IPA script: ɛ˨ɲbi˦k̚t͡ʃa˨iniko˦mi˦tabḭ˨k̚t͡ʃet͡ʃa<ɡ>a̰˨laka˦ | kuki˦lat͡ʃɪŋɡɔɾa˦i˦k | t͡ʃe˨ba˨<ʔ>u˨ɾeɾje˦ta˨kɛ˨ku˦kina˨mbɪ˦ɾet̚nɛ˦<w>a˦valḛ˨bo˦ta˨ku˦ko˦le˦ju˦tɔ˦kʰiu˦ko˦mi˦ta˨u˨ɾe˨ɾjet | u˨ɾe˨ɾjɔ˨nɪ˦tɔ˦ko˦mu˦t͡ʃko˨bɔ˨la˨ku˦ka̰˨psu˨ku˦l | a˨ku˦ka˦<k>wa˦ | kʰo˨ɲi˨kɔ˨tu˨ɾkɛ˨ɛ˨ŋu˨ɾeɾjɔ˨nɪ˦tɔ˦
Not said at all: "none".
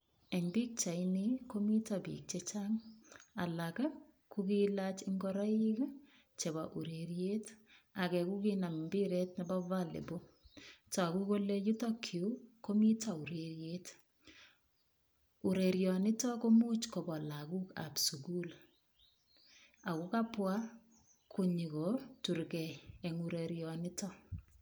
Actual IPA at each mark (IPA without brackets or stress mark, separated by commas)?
ŋ, ʔ, b, p